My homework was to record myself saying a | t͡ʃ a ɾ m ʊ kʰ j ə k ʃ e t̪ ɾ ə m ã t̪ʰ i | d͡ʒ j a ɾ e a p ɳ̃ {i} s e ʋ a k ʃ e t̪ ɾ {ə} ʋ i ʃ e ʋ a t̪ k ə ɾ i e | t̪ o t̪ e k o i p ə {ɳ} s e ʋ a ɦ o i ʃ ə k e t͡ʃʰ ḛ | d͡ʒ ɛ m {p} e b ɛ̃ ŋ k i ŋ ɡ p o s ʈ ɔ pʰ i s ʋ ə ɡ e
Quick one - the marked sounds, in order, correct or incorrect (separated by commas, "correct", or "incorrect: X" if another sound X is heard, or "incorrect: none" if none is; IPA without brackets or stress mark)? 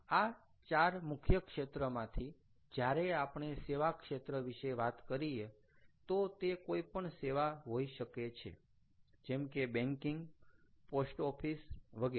incorrect: e, correct, correct, incorrect: k